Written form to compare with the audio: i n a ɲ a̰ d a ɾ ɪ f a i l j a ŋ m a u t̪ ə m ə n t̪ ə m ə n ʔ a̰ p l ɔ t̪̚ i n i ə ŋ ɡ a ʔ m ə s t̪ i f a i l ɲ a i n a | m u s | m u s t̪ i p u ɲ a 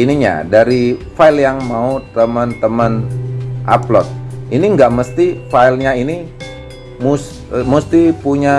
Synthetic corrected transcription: i n i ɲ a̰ d a ɾ i f a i l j a ŋ m a u t̪ ə m ə n t̪ ə m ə n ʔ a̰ p l ɔ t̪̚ i n i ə ŋ ɡ a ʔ m ə s t̪ i f a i l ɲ a i n i | m u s | m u s t̪ i p u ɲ a